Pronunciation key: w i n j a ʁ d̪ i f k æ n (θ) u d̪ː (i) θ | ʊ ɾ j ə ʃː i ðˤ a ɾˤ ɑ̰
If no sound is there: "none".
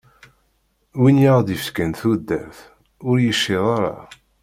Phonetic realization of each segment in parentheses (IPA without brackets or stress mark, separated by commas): θ, æ